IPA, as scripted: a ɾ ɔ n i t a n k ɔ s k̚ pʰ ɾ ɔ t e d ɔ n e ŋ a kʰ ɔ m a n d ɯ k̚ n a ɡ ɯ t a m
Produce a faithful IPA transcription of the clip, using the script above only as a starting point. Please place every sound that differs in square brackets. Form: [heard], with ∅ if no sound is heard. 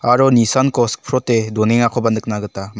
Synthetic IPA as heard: a ɾ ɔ n i [s] a n k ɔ s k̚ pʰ ɾ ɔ t e d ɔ n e ŋ a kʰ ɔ [b] a n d ɯ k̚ n a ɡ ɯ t a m